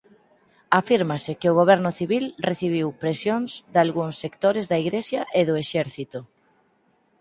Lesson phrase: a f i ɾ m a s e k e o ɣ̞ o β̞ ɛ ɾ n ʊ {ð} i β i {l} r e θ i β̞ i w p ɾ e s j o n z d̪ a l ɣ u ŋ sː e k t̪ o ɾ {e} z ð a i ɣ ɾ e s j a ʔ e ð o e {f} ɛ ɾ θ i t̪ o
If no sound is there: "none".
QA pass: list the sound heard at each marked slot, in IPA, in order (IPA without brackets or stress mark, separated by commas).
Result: θ, l, e, ʃ